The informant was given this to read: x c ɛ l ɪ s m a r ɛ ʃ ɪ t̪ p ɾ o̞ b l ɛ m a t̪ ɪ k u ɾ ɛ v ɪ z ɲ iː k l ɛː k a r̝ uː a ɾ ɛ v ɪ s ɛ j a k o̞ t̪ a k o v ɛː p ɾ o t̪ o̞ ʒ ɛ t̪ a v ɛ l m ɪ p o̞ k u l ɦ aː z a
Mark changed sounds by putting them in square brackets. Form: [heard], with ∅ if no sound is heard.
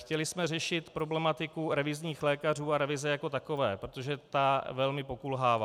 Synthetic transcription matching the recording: x c ɛ l ɪ s m [ɛ] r ɛ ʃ ɪ t̪ p ɾ o̞ b l ɛ m a t̪ ɪ k u ɾ ɛ v ɪ z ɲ iː [x] l ɛː k a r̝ uː a ɾ ɛ v ɪ [z] ɛ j a k o̞ t̪ a k o v ɛː p ɾ o t̪ o̞ ʒ ɛ t̪ a v ɛ l m ɪ p o̞ k u l ɦ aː [v] a

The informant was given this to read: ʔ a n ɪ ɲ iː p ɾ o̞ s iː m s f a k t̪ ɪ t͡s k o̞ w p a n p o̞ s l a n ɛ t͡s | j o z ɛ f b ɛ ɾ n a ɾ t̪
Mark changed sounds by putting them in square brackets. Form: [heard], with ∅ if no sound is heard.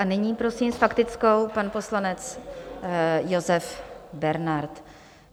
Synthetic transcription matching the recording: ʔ a n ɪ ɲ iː p ɾ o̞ s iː m s f a k t̪ ɪ t͡s k o̞ w p a n p o̞ s l a n ɛ t͡s | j o z ɛ f b ɛ ɾ n a ɾ t̪

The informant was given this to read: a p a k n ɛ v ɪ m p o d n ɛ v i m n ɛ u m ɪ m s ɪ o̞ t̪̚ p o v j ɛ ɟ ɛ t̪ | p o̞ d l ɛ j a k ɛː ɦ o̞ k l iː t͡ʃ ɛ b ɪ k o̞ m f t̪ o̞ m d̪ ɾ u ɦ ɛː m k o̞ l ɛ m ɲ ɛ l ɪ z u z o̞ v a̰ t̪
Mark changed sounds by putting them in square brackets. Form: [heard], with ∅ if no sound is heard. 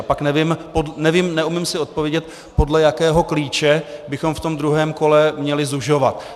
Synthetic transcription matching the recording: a p a k n ɛ v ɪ m p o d n ɛ v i m n ɛ u m ɪ m s ɪ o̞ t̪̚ p o v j ɛ ɟ ɛ t̪ | p o̞ d l ɛ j a k ɛː ɦ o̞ k l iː t͡ʃ ɛ b ɪ [x] o̞ m f t̪ o̞ m d̪ ɾ u ɦ ɛː m k o̞ l ɛ m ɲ ɛ l ɪ z u [ʒ] o̞ v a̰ t̪

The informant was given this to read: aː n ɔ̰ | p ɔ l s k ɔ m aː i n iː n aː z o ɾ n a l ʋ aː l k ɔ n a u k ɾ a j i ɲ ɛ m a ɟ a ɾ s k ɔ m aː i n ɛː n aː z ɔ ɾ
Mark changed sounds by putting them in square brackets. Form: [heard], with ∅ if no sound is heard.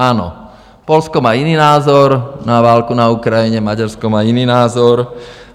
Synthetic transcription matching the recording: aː n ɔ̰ | p ɔ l s k ɔ m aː i n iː n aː z [ɔ] ɾ n a [∅] ʋ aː l k [u] n a u k ɾ a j i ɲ ɛ m a ɟ a ɾ s k ɔ m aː i n [iː] n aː z ɔ ɾ

